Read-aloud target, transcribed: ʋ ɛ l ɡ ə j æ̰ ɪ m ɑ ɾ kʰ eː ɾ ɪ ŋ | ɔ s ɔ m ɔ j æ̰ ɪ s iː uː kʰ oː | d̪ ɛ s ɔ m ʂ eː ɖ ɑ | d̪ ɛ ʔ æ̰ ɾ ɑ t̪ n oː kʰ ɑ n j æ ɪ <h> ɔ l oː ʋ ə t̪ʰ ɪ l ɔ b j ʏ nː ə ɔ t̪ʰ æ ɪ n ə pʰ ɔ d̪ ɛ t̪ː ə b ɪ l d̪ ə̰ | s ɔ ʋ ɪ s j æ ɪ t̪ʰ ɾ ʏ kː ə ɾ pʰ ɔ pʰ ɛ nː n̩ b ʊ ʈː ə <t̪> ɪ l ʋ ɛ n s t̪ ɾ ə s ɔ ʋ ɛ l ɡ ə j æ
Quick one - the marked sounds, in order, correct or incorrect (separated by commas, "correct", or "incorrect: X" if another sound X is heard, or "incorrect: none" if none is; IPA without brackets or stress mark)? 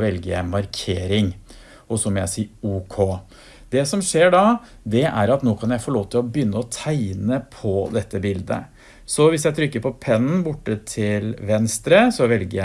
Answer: incorrect: f, incorrect: t̪ʰ